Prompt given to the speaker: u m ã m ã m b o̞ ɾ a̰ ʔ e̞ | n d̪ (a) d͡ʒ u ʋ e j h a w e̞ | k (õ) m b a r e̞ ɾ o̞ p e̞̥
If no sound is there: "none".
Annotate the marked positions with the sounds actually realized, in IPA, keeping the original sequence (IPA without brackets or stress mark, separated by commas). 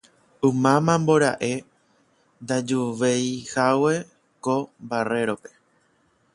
a, o